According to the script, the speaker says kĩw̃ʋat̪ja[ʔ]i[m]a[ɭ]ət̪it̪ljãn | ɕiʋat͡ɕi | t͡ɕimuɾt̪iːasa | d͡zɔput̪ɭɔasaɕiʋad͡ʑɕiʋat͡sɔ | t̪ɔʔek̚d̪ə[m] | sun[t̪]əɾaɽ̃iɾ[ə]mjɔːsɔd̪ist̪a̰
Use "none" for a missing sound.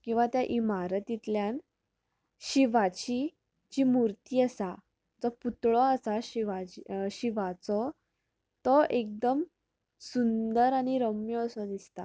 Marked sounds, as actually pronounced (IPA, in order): ʔ, m, ɾ, m, d̪, ə

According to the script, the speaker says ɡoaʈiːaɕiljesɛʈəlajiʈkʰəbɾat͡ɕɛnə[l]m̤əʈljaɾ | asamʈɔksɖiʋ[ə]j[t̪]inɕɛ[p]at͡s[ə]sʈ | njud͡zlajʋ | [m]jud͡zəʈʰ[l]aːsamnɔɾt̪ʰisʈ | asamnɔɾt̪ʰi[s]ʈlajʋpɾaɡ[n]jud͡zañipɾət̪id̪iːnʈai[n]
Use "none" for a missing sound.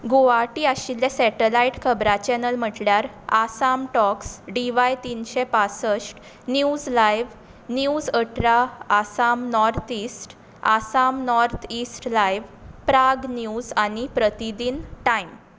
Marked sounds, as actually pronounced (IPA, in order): l, a, t̪, p, ə, n, ɾ, s, n, m

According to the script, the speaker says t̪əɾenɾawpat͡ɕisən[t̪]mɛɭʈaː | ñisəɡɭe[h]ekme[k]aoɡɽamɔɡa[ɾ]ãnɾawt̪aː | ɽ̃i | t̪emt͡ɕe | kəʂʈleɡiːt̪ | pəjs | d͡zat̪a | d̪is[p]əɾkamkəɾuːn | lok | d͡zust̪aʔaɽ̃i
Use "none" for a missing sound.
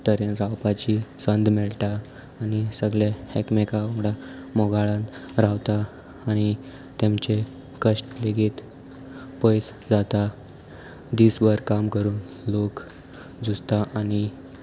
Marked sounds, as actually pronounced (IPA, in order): d̪, h, k, ɭ, b

